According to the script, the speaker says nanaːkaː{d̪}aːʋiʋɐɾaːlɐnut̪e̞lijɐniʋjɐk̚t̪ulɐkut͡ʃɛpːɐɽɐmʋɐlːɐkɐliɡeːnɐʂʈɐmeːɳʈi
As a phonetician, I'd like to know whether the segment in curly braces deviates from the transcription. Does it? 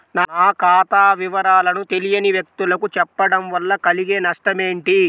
yes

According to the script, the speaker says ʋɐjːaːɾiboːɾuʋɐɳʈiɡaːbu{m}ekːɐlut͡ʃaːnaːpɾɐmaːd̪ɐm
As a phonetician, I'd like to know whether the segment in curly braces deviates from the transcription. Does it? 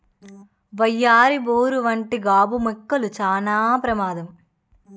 no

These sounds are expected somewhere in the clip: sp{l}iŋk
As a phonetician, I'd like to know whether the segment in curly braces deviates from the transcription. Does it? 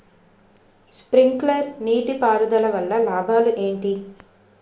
yes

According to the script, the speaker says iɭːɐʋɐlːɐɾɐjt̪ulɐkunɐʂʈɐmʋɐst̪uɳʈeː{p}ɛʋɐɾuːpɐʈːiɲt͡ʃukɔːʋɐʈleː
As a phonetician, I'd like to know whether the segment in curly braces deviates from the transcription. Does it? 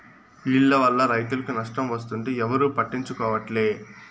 yes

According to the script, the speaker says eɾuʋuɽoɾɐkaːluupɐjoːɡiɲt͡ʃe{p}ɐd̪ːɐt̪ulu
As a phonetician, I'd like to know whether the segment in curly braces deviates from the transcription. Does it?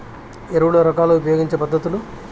no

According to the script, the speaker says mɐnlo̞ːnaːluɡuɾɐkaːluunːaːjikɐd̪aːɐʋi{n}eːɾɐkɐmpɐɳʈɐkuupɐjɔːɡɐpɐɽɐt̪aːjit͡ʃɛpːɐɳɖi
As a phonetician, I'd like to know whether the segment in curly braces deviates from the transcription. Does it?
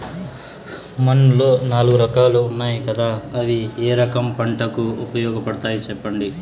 yes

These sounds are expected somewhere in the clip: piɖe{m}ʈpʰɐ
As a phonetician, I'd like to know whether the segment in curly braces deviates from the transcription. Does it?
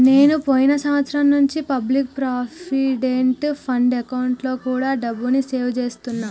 yes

